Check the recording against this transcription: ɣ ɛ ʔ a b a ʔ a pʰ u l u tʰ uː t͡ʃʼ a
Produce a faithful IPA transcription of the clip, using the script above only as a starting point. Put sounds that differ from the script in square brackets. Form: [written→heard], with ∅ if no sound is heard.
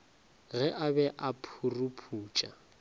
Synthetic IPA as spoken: ɣ ɛ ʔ a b [a→ɛ] ʔ a pʰ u [l→r] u [tʰ→pʰ] uː t͡ʃʼ a